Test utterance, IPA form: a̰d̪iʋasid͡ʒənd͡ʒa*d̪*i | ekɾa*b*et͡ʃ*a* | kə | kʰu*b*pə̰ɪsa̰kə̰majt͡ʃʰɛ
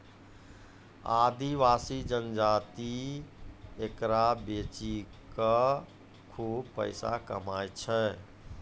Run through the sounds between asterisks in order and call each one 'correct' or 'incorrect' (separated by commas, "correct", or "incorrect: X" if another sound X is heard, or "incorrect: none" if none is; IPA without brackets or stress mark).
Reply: incorrect: t̪, correct, incorrect: i, correct